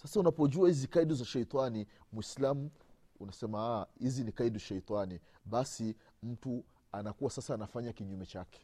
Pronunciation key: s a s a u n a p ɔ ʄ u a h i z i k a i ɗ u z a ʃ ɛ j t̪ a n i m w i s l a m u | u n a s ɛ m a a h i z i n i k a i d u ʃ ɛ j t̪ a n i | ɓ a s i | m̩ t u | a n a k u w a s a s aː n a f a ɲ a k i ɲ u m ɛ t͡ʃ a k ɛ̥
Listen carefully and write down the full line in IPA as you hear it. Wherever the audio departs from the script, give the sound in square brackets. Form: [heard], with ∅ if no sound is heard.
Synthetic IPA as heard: s a s a u n a p ɔ ʄ u a h i z i k a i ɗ u z a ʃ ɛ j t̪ a n i m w i s l a m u | u n a s ɛ m a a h i z i n i k a i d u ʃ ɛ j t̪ a n i | ɓ a s i | m̩ t u | a n a k u w a s a s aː n a f a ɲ a k i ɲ u m ɛ t͡ʃ a k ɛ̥